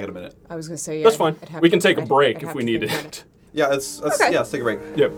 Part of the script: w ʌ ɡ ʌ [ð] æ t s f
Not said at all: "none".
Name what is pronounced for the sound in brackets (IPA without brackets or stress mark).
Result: ð